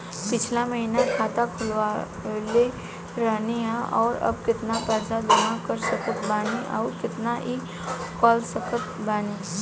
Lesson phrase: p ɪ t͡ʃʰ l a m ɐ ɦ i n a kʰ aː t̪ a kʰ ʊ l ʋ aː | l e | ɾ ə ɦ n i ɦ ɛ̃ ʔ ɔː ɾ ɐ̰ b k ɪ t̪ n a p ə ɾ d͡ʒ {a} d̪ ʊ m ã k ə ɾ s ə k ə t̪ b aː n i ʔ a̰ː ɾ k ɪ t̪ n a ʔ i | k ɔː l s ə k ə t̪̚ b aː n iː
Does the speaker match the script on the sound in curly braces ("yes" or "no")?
yes